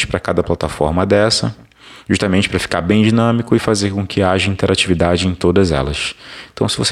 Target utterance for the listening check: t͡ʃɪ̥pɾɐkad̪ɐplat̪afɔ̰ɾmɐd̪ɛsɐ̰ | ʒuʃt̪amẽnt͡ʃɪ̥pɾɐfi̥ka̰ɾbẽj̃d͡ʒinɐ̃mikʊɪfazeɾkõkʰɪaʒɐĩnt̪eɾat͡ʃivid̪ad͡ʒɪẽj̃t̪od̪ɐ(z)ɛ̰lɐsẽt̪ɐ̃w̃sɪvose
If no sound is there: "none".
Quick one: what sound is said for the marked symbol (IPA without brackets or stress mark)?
z